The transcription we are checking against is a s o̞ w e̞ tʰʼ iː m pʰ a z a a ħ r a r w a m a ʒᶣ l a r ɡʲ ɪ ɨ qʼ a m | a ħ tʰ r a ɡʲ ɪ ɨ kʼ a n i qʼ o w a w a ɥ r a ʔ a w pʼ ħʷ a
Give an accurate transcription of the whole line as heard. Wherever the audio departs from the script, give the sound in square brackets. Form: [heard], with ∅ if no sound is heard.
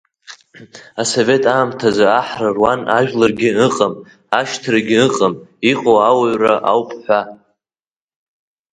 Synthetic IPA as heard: a s o̞ [v] e̞ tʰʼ [aː] m [tʰ] a z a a ħ r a r w a [n] a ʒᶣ l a r ɡʲ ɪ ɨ qʼ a m | a [ʃ] tʰ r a ɡʲ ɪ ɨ [qʼ] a [m] i qʼ o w a w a ɥ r a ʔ a w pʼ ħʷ a

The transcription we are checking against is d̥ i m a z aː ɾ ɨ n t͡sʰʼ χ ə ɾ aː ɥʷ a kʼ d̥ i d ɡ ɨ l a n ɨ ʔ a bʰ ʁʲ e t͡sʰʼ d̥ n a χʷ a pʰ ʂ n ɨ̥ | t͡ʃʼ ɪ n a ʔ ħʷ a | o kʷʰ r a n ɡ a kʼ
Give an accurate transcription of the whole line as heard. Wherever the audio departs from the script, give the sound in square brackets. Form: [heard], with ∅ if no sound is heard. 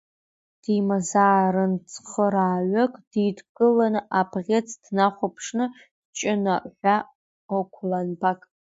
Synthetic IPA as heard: d̥ i m a z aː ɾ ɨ n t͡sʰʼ χ ə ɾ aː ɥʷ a kʼ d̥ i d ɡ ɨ l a n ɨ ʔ a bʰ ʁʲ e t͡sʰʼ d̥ n a χʷ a pʰ ʂ n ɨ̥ | t͡ʃʼ ɪ n a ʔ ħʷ a | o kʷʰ [l] a n [b] a kʼ

